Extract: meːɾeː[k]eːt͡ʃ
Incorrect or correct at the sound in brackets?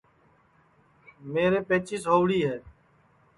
incorrect: p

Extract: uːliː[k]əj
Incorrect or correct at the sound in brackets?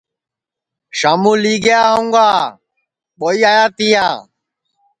incorrect: ɡ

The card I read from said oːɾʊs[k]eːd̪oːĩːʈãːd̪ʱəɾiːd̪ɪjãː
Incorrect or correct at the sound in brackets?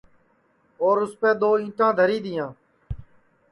incorrect: p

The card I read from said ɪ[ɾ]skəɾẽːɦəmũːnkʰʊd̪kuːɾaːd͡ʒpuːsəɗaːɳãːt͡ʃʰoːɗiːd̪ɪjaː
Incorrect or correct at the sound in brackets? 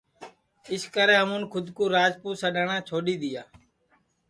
incorrect: none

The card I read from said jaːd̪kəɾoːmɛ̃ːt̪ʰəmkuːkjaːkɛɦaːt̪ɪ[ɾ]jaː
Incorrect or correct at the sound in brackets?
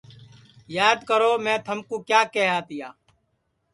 incorrect: none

